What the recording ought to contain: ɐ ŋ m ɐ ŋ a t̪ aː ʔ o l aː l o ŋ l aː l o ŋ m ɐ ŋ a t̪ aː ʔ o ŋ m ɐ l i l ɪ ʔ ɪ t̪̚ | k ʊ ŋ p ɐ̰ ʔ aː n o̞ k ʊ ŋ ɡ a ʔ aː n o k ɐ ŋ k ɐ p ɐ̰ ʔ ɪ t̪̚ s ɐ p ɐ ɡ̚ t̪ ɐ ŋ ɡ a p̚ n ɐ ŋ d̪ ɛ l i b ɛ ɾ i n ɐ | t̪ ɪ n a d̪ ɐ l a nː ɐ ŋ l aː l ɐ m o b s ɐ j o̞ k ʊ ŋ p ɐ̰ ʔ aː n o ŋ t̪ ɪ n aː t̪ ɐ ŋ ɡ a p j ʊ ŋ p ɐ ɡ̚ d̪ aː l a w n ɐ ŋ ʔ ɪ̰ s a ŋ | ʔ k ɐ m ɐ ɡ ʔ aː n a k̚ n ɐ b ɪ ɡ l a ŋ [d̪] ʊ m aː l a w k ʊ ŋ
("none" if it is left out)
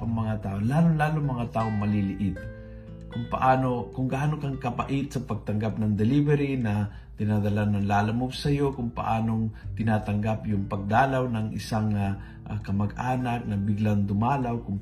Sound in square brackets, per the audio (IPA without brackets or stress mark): d̪